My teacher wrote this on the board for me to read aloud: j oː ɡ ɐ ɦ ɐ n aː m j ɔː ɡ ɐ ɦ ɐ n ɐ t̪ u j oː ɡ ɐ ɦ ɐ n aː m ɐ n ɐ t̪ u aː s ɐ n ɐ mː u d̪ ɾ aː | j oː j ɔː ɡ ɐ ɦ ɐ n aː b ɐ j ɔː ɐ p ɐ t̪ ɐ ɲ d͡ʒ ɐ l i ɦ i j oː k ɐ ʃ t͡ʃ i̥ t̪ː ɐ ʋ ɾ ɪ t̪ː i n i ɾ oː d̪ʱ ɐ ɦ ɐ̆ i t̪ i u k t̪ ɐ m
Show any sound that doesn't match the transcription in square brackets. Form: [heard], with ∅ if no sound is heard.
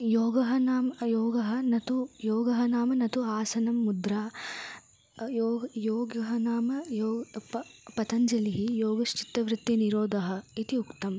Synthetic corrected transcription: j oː ɡ ɐ ɦ ɐ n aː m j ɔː ɡ ɐ ɦ ɐ n ɐ t̪ u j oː ɡ ɐ ɦ ɐ n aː m ɐ n ɐ t̪ u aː s ɐ n ɐ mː u d̪ ɾ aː | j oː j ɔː ɡ ɐ ɦ ɐ n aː [m] ɐ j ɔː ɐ p ɐ t̪ ɐ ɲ d͡ʒ ɐ l i ɦ i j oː [ɡ] ɐ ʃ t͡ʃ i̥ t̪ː ɐ ʋ ɾ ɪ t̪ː i n i ɾ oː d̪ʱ ɐ ɦ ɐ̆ i t̪ i u k t̪ ɐ m